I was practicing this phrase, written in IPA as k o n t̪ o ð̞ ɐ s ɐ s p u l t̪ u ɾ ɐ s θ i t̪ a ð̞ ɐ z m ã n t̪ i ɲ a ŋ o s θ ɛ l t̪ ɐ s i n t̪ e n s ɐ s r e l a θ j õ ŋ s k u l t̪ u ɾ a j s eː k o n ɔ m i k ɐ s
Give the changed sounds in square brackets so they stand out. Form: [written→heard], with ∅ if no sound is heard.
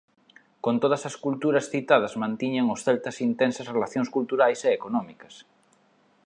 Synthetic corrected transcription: k o n t̪ o ð̞ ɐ s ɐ s [p→k] u l t̪ u ɾ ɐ s θ i t̪ a ð̞ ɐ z m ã n t̪ i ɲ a ŋ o s θ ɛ l t̪ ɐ s i n t̪ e n s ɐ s r e l a θ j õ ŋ s k u l t̪ u ɾ a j s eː k o n ɔ m i k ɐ s